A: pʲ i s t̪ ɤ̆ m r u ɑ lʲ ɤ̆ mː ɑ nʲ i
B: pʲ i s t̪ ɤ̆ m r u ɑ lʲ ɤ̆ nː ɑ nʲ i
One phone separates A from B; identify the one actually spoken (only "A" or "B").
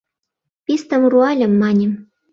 A